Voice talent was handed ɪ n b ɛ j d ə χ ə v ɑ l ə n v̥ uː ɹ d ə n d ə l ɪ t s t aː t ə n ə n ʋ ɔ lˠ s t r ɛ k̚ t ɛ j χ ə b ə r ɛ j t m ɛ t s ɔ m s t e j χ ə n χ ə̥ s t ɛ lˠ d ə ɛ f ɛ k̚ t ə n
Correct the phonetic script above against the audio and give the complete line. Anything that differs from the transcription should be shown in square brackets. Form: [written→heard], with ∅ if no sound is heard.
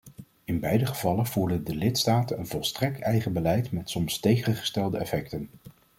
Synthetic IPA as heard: ɪ n b ɛ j d ə χ ə v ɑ l ə n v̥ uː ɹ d ə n d ə l ɪ t s t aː t ə n ə n [ʋ→v] ɔ lˠ s t r ɛ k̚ t ɛ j χ ə b ə [r→l] ɛ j t m ɛ t s ɔ m s t e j χ ə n χ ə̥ s t ɛ lˠ d ə ɛ f ɛ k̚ t ə n